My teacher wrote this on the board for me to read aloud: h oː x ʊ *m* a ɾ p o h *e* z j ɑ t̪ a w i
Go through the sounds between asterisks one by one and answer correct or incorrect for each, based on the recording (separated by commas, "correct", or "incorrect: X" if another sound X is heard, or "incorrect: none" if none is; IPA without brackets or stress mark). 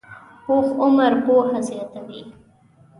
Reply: correct, incorrect: a